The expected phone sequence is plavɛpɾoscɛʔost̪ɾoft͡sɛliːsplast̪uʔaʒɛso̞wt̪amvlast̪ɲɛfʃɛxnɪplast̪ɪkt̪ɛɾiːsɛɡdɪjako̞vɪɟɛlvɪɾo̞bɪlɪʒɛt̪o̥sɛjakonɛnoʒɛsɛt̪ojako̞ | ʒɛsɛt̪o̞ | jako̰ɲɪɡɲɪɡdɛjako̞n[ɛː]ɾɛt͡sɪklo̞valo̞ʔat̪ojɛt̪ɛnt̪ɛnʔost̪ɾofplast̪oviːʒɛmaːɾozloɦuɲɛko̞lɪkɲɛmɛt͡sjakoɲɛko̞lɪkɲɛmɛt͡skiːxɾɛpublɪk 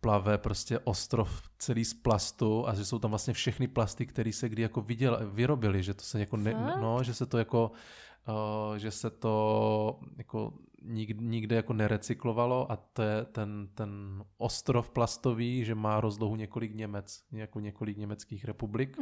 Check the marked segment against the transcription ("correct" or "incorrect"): incorrect